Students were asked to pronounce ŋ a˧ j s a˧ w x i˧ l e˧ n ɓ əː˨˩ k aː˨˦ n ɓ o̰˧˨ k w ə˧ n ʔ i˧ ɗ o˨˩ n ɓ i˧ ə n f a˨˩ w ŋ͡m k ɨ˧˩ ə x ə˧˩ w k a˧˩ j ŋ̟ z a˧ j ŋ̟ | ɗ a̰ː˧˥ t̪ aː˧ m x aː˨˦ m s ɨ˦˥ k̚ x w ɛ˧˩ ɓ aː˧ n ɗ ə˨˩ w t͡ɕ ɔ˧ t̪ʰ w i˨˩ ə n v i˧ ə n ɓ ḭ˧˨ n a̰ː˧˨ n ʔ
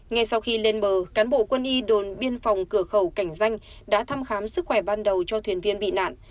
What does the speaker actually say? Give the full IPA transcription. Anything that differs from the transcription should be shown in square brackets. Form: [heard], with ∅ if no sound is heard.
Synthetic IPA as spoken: ŋ a˧ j s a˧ w x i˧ l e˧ n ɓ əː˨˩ k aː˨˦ n ɓ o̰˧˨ k w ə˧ n ʔ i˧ ɗ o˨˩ n ɓ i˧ ə n f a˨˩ w ŋ͡m k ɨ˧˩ ə x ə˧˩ w k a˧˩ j ŋ̟ z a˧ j ŋ̟ | ɗ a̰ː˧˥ [t̪ʰ] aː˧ m x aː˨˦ m s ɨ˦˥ k̚ x w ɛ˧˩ ɓ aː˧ n ɗ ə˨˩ w t͡ɕ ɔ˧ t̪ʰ w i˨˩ ə n v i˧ ə n ɓ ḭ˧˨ n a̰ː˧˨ n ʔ